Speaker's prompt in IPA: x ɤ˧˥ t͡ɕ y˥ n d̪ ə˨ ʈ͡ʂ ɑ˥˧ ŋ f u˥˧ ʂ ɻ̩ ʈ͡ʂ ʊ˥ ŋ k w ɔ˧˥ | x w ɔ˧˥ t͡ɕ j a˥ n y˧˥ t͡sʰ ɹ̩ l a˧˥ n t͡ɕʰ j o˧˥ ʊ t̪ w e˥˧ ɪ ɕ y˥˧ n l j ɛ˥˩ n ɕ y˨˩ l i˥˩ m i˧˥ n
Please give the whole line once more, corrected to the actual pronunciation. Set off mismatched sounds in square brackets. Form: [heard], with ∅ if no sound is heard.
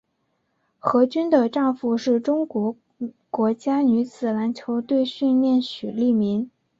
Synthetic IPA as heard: x ɤ˧˥ t͡ɕ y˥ n d̪ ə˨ ʈ͡ʂ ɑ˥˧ ŋ f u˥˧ ʂ ɻ̩ ʈ͡ʂ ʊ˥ ŋ k w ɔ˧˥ | [k] w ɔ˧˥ t͡ɕ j a˥ n y˧˥ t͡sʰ ɹ̩ l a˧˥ n t͡ɕʰ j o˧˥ ʊ t̪ w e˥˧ ɪ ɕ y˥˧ n l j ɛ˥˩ n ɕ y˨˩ l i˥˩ m i˧˥ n

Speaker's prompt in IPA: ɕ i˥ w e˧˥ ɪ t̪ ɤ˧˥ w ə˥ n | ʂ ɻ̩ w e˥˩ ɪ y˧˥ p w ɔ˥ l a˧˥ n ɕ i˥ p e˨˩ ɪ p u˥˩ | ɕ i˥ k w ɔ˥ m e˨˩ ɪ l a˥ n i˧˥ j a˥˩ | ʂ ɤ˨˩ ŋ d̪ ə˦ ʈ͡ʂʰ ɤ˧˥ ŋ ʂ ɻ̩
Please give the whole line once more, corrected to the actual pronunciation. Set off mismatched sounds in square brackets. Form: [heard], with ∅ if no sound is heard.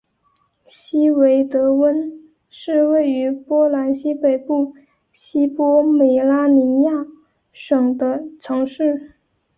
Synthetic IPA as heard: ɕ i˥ w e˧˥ ɪ t̪ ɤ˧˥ w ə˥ n | ʂ ɻ̩ w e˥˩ ɪ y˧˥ p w ɔ˥ l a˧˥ n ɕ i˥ p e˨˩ ɪ p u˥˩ | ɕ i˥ [p] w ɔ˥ m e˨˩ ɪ l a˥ n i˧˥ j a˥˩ | ʂ ɤ˨˩ ŋ d̪ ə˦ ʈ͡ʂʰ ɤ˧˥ ŋ ʂ ɻ̩

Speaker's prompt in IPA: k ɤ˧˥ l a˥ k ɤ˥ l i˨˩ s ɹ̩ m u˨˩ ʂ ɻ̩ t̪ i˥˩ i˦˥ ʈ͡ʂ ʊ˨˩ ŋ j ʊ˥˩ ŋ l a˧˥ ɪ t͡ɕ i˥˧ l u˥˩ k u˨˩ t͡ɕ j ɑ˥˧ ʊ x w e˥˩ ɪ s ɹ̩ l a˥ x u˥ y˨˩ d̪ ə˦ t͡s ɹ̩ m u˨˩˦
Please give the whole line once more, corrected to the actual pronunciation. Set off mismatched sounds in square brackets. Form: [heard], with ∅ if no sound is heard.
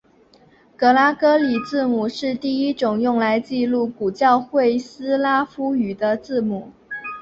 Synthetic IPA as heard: k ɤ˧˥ l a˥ k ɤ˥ l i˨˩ [t͡s] ɹ̩ m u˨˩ ʂ ɻ̩ t̪ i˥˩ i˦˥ ʈ͡ʂ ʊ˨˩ ŋ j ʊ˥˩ ŋ l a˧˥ ɪ t͡ɕ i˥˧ l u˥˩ k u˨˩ t͡ɕ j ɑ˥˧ ʊ x w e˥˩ ɪ s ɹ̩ l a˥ [f] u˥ y˨˩ d̪ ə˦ t͡s ɹ̩ m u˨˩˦

